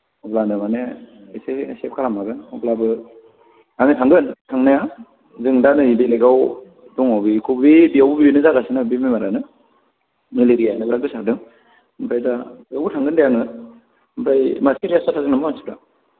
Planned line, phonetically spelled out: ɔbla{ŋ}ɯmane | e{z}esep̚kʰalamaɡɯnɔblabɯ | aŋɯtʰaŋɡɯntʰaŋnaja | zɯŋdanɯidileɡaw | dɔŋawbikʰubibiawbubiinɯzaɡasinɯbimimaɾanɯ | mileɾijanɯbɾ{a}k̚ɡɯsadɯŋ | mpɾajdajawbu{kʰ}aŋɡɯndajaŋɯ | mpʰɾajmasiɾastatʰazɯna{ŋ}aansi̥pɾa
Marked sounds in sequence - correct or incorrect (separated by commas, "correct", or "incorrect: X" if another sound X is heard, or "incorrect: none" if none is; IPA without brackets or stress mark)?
incorrect: n, incorrect: s, correct, incorrect: tʰ, incorrect: m